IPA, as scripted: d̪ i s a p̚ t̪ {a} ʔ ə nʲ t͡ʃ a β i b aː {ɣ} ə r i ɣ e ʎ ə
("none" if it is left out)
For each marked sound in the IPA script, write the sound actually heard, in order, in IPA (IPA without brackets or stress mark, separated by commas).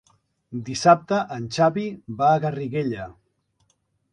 ə, ɣ